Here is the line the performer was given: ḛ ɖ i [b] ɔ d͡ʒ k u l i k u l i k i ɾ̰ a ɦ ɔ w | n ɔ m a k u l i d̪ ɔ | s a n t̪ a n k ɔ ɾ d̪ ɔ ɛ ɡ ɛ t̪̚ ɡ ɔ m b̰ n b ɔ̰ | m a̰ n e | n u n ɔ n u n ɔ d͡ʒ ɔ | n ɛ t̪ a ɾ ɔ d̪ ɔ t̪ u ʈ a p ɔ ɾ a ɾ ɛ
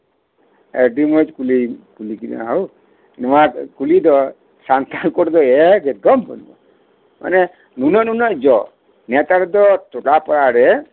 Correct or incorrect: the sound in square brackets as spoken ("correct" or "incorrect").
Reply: incorrect